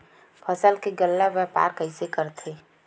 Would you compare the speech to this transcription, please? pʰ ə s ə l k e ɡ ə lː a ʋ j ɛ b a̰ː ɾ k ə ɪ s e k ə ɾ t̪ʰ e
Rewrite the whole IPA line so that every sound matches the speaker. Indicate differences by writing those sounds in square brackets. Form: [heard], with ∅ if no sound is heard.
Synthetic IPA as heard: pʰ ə s ə l k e ɡ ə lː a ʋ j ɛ [p] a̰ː ɾ k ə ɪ s e k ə ɾ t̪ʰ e